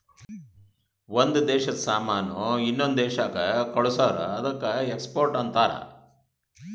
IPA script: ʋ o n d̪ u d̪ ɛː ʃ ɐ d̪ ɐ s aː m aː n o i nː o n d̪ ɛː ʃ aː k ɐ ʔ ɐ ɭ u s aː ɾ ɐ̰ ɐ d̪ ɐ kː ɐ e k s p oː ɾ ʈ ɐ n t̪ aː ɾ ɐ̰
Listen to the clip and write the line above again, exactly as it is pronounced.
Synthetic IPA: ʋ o n d̪ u d̪ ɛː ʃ ɐ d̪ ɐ s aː m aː n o i nː o n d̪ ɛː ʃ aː k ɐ k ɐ ɭ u s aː ɾ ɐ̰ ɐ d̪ ɐ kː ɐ e k s p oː ɾ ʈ ɐ n t̪ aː ɾ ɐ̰